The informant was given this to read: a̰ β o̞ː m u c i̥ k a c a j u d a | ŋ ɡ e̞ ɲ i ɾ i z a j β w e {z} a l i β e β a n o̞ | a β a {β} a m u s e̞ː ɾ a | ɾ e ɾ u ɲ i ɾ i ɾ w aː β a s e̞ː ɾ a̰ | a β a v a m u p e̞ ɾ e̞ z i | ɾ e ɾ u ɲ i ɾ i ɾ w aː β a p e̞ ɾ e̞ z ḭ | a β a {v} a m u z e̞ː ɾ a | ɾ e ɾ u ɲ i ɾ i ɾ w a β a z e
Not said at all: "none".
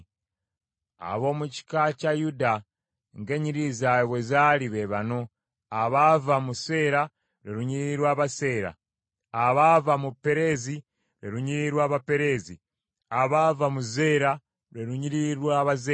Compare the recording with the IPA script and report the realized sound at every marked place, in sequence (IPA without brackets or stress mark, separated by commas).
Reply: z, v, v